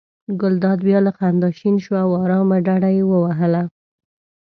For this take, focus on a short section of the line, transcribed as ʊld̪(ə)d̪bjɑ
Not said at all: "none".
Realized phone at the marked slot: ɑ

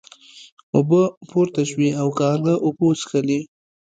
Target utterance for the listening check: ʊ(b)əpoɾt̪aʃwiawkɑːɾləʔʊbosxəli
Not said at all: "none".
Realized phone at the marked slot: b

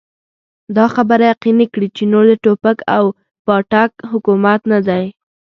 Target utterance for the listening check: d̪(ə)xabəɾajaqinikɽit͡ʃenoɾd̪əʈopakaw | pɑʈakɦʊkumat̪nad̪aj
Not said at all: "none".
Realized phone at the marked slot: ɑ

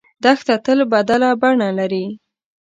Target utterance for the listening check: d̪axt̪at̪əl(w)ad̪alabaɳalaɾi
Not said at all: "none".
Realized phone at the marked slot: b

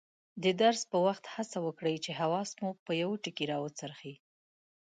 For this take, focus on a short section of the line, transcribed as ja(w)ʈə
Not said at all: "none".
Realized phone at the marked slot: w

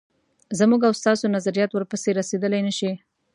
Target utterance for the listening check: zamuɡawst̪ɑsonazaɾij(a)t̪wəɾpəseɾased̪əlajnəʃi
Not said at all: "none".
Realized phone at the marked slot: ɑ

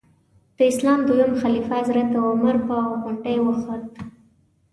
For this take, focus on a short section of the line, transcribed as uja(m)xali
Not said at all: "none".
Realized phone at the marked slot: m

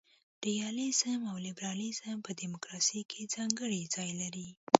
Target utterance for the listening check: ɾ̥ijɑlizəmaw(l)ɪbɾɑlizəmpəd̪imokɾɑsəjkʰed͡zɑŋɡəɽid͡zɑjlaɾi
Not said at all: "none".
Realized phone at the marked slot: l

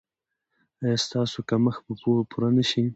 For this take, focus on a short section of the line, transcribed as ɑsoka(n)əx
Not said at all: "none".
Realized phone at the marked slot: m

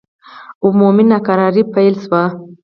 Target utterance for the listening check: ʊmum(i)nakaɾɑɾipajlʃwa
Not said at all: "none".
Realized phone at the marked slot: i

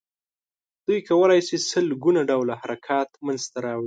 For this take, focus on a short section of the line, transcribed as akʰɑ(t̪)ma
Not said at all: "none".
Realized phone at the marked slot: t̪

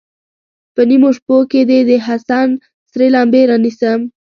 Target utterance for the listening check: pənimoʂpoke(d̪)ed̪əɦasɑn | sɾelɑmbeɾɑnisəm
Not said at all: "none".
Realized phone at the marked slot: d̪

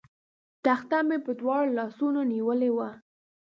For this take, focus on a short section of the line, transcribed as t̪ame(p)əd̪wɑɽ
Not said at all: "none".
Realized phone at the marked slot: p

